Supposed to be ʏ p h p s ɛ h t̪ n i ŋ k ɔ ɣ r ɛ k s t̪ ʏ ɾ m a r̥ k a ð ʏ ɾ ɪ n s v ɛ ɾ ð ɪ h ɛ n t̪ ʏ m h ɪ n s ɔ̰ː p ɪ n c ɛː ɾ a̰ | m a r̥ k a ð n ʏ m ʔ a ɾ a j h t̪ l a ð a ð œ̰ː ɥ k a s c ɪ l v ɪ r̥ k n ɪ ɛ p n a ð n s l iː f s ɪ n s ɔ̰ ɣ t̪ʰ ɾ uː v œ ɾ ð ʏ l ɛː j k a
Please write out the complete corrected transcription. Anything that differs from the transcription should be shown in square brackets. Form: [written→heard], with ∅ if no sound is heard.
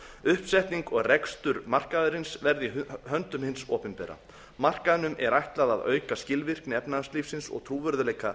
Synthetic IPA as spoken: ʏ [p→∅] h p s ɛ h t̪ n i ŋ k ɔ ɣ r ɛ k s t̪ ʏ ɾ m a r̥ k a ð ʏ ɾ ɪ n s v ɛ ɾ ð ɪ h [ɛ→œ] n t̪ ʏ m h ɪ n s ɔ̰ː p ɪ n [c→p] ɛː ɾ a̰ | m a r̥ k a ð n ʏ m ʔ [a→ɛ] ɾ a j h t̪ l a ð a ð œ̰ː ɥ k a s c ɪ l v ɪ r̥ k n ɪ ɛ p n a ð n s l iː f s ɪ n s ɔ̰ ɣ t̪ʰ ɾ uː v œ ɾ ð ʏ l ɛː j k a

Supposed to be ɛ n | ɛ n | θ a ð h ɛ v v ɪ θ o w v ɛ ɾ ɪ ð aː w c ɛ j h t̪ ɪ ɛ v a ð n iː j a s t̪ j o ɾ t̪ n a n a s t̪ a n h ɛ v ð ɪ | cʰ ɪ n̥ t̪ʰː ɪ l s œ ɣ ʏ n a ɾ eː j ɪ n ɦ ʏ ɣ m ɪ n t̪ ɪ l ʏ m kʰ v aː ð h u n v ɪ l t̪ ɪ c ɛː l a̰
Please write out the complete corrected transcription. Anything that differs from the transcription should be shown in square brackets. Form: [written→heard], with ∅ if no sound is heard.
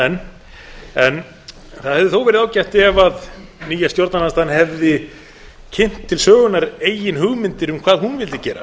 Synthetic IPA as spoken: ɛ n | ɛ n | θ a ð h ɛ v [v→ð] ɪ θ o w v ɛ ɾ ɪ ð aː w c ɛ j h t̪ ɪ ɛ v a ð n iː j a s t̪ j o ɾ t̪ n a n a s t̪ a n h ɛ v ð ɪ | cʰ ɪ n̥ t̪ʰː ɪ l s [œ→œː] ɣ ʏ n a ɾ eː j ɪ n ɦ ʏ ɣ m ɪ n t̪ ɪ [l→ɾ] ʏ m kʰ v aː ð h u n v ɪ l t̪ ɪ c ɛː [l→ɾ] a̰

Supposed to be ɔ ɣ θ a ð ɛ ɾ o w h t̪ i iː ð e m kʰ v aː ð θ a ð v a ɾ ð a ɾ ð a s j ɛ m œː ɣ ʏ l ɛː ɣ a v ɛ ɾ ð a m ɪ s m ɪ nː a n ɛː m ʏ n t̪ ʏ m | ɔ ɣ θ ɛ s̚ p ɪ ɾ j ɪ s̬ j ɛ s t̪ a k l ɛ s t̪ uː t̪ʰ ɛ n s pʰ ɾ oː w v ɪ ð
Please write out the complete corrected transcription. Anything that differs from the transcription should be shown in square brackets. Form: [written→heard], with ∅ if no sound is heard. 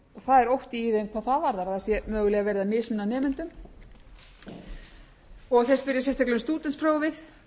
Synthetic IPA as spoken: ɔ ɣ θ a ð ɛ ɾ o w h t̪ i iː ð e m kʰ v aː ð θ a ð v a ɾ ð a ɾ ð a s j ɛ m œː ɣ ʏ l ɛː ɣ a v ɛ ɾ ð a m ɪ s m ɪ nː a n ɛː m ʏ n t̪ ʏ m | ɔ ɣ θ ɛ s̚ p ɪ ɾ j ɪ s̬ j ɛ s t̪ a k l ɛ s t̪ uː [t̪ʰ→t̪] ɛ n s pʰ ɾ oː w v ɪ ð

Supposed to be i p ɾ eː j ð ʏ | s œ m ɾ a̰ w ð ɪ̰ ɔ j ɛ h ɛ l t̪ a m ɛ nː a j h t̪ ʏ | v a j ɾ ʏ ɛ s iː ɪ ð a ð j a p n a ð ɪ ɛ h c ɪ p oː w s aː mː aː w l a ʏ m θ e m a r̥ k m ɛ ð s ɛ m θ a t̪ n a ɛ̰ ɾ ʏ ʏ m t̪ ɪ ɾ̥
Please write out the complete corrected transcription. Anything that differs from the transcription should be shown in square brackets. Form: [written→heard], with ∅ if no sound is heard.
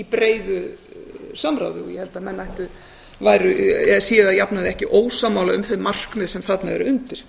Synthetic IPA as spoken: i p ɾ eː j ð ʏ | s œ m ɾ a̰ w ð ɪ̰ ɔ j ɛ h ɛ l t̪ a m ɛ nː a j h t̪ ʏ | v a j ɾ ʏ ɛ s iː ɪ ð a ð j a p n a ð ɪ ɛ h c ɪ [p→ʔ] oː w s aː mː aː w l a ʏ m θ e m a r̥ k m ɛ ð s ɛ m θ a t̪ n a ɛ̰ ɾ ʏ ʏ [m→n] t̪ ɪ ɾ̥

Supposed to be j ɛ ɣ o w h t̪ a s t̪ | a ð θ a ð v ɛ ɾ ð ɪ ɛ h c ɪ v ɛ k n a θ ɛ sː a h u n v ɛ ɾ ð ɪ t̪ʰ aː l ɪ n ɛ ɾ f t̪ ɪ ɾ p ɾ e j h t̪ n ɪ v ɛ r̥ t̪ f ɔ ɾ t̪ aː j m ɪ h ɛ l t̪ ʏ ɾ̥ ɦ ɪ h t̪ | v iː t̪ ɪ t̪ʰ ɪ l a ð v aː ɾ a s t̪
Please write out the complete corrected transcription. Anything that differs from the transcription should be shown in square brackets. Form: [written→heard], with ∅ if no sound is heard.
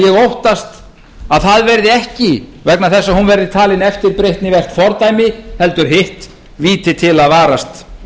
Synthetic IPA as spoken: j ɛ ɣ o w h t̪ a s t̪ | a ð θ a ð v ɛ ɾ ð ɪ ɛ h c ɪ v ɛ k n a θ ɛ sː a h u n v ɛ ɾ ð ɪ t̪ʰ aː l ɪ n ɛ [ɾ→∅] f t̪ ɪ ɾ p ɾ e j h t̪ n ɪ v ɛ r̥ t̪ f ɔ ɾ t̪ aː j m ɪ h ɛ l t̪ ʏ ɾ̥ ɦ ɪ h t̪ | v iː t̪ ɪ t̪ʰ ɪ l a ð v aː ɾ a s t̪

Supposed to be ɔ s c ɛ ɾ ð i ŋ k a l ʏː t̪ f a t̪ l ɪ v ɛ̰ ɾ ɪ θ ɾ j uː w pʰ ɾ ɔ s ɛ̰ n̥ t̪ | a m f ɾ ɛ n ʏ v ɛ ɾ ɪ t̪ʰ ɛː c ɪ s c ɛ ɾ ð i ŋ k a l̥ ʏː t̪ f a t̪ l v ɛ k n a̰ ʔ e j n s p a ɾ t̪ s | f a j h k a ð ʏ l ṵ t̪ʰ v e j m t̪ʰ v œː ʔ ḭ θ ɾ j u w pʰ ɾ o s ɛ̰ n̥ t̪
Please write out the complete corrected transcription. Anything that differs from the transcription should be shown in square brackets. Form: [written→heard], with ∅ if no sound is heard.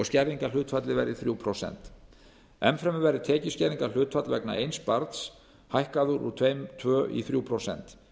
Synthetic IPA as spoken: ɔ s c ɛ ɾ ð i ŋ k a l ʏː t̪ f a t̪ l ɪ v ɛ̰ ɾ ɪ θ ɾ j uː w pʰ ɾ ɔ s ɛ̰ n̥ t̪ | [a→ɛ] m f ɾ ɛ [n→m] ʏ v ɛ ɾ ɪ t̪ʰ ɛː c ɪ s c ɛ ɾ ð i ŋ k a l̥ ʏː t̪ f a t̪ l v ɛ k n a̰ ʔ e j n s p a ɾ t̪ s | [f→h] a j h k a ð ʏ [l→ɾ] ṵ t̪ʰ v e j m t̪ʰ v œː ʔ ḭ θ ɾ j u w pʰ ɾ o s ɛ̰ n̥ t̪

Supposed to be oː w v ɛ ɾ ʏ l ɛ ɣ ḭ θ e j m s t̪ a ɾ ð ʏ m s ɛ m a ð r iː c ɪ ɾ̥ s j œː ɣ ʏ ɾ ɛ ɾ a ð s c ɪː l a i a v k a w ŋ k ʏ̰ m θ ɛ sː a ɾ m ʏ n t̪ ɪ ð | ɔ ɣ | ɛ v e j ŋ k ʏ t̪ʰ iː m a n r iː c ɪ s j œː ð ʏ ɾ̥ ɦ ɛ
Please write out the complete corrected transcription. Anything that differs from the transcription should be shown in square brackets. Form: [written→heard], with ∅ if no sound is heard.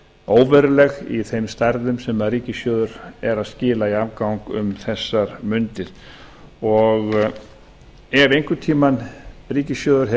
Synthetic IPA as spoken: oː w v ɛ ɾ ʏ l ɛ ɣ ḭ θ e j m s t̪ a ɾ ð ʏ m s ɛ m a ð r iː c ɪ [ɾ̥→∅] s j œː [ɣ→ð] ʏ ɾ ɛ ɾ a ð s c ɪː l a i a v k a w ŋ k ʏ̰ m θ ɛ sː a ɾ m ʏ n t̪ ɪ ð | ɔ ɣ | ɛ v e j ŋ k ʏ t̪ʰ iː m a n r iː c ɪ s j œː ð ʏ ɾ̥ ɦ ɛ

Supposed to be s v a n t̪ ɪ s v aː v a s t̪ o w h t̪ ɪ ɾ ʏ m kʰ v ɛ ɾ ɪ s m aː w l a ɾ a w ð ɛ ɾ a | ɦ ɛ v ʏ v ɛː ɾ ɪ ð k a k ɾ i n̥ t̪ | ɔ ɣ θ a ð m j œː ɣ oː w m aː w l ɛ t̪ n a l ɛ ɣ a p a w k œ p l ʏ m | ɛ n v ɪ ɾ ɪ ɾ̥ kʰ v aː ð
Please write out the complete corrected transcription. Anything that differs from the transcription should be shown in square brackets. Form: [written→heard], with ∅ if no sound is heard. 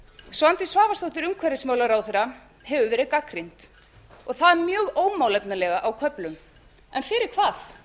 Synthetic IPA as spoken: s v a n t̪ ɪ s v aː v a s t̪ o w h t̪ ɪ ɾ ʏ m kʰ v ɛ ɾ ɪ s m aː w l a ɾ a w [ð→θ] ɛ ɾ a | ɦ ɛ v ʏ v ɛː ɾ ɪ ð k a k ɾ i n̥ t̪ | ɔ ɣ θ a ð m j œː ɣ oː w m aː w l ɛ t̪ n a l ɛ ɣ a [p→ʔ] a w [k→kʰ] œ p l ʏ m | ɛ n [v→f] ɪ ɾ ɪ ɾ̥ kʰ v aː [ð→θ]

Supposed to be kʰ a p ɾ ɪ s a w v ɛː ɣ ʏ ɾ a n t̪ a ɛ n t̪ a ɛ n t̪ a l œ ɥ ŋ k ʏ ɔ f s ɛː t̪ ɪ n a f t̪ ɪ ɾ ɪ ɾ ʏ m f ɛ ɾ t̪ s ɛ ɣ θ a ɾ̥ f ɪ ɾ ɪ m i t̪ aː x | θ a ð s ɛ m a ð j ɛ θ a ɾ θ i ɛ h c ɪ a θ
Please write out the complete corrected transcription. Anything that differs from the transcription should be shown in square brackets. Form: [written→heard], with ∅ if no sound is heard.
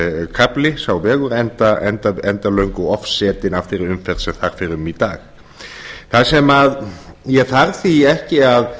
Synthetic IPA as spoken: kʰ a p [ɾ→l] ɪ s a w v ɛː ɣ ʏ ɾ [a→ɛ] n t̪ a ɛ n t̪ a ɛ n t̪ a l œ ɥ ŋ k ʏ ɔ f s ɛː t̪ ɪ n a f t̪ ɪ ɾ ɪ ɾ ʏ m f ɛ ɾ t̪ s ɛ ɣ θ a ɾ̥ f ɪ ɾ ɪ m i t̪ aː x | θ a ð s ɛ m a ð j ɛ θ a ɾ θ i ɛ h c ɪ a [θ→ð]

